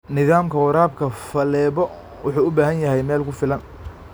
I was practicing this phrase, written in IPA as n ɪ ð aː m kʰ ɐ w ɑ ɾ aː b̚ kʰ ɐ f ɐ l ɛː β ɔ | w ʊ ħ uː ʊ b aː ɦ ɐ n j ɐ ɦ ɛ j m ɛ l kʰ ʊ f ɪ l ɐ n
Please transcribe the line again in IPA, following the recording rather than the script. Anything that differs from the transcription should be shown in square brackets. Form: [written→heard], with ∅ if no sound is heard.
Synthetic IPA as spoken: n ɪ ð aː m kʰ ɐ w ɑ ɾ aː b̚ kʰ ɐ f ɐ l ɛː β ɔ | w ʊ ħ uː ʊ b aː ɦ ɐ n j ɐ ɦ ɛ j m [ɛ→ɛː] l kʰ ʊ f ɪ l ɐ n